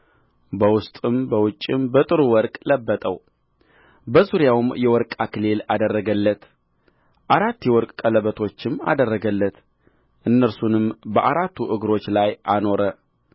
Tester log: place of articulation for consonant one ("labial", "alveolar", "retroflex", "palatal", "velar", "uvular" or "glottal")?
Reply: labial